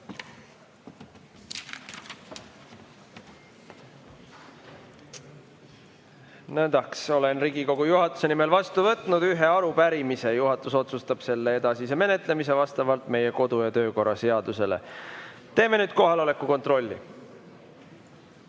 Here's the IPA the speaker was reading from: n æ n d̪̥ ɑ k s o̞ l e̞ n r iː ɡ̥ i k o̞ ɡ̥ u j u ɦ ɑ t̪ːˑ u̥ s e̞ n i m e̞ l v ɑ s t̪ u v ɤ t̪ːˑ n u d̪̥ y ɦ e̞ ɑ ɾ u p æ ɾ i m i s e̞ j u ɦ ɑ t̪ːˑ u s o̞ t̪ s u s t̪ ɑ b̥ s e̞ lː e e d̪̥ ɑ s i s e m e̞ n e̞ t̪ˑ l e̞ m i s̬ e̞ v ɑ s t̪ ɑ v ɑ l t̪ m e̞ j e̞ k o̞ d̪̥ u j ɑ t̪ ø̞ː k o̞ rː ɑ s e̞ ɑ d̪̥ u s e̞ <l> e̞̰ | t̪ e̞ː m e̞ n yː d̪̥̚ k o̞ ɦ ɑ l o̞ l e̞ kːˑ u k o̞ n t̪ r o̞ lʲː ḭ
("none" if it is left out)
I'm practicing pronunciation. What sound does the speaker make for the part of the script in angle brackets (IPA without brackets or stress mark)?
l